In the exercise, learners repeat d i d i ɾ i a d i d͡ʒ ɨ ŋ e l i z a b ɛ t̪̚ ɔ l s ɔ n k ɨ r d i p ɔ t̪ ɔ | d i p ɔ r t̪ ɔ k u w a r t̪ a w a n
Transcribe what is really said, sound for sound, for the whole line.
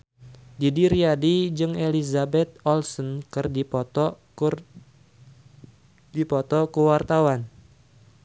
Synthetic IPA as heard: d i d i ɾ i a d i d͡ʒ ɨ ŋ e l i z a b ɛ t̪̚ ɔ l s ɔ n k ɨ r d i p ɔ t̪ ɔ | d i p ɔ t̪ ɔ k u w a r t̪ a w a n

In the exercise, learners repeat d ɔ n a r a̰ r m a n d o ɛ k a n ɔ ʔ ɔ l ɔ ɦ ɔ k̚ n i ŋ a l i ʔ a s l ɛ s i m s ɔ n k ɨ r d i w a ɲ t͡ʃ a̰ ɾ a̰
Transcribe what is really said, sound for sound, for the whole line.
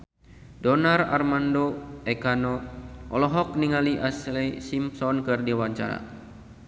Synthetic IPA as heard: d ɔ n a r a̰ r m a n d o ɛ k a n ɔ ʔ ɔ l ɔ ɦ ɔ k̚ n i ŋ a l i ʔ a s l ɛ s i m s ɔ n k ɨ r d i w a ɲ t͡ʃ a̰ ɾ a̰

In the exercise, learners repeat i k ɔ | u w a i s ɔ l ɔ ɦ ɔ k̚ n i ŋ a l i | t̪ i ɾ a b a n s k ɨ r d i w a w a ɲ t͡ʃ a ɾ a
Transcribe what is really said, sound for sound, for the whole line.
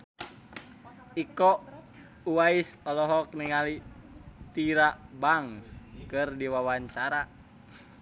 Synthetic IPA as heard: i k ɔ | u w a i s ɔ l ɔ ɦ ɔ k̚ n i ŋ a l i | t̪ i ɾ a b a ŋ s k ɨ r d i w a w a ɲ t͡ʃ a ɾ a

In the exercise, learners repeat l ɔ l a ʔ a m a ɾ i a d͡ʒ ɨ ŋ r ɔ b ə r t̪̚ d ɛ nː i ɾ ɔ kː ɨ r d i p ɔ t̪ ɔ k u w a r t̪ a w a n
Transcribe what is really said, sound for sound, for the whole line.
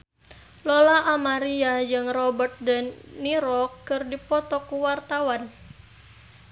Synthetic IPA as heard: l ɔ l a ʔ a m a ɾ i a d͡ʒ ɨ ŋ r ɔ b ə r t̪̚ d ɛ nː i ɾ ɔ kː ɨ r d i p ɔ t̪ ɔ k u w a r t̪ a w a n

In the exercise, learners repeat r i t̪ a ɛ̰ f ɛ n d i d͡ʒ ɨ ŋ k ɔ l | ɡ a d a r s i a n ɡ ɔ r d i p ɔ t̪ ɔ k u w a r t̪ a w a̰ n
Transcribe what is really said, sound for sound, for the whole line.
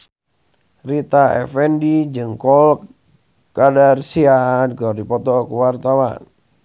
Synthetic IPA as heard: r i t̪ a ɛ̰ f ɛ n d i d͡ʒ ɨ ŋ k ɔ l | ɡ a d a r s i a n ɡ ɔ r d i p ɔ t̪ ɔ k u w a r t̪ a w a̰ n

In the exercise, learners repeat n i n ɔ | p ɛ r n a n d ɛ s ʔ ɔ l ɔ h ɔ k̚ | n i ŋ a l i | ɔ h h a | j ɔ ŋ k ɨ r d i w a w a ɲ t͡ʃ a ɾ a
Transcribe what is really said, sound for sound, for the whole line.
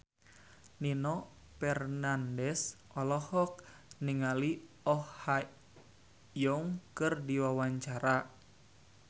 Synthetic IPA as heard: n i n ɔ | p ɛ r n a n d ɛ s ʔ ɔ l ɔ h ɔ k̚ | n i ŋ a l i | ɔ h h a | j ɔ ŋ k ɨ r d i w a w a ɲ t͡ʃ a ɾ a

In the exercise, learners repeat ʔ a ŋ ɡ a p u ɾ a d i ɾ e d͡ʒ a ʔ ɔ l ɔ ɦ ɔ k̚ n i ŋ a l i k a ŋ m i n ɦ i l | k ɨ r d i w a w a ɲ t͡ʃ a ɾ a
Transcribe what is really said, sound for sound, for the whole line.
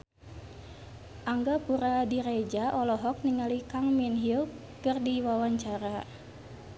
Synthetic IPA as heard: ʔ a ŋ ɡ a p u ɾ a d i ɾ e d͡ʒ a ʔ ɔ l ɔ ɦ ɔ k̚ n i ŋ a l i k a ŋ m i n ɦ i l | k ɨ r d i w a w a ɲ t͡ʃ a ɾ a

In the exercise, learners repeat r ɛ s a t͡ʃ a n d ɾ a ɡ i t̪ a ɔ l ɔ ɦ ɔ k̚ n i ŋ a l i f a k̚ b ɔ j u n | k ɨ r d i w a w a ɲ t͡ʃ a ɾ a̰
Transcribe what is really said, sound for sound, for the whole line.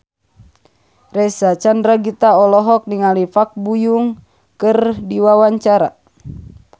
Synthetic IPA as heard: r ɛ s a t͡ʃ a n d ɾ a ɡ i t̪ a ɔ l ɔ ɦ ɔ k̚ n i ŋ a l i f a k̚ b u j u ŋ | k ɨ r d i w a w a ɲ t͡ʃ a ɾ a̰

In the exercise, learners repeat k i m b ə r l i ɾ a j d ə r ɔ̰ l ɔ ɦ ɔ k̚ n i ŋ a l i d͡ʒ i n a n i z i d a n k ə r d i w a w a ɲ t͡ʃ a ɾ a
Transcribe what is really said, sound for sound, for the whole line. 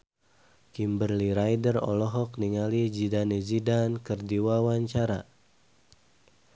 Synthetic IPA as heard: k i m b ə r l i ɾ a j d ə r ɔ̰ l ɔ ɦ ɔ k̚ n i ŋ a l i d͡ʒ i d a n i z i d a n k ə r d i w a w a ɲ t͡ʃ a ɾ a

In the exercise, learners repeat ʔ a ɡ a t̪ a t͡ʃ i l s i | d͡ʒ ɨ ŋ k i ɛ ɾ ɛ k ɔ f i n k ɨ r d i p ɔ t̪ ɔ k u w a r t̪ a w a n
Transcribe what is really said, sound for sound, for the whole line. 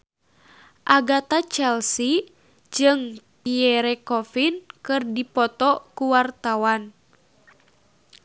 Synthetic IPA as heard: ʔ a ɡ a t̪ a t͡ʃ ɛ l s i | d͡ʒ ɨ ŋ p i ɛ ɾ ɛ k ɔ f i n k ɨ r d i p ɔ t̪ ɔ k u w a r t̪ a w a n

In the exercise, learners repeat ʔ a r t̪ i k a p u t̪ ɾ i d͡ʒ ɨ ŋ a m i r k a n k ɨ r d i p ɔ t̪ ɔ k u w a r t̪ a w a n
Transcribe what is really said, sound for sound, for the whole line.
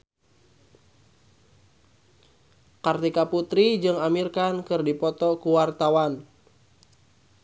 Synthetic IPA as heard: k a r t̪ i k a p u t̪ ɾ i d͡ʒ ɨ ŋ a m i r k a n k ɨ r d i p ɔ t̪ ɔ k u w a r t̪ a w a n

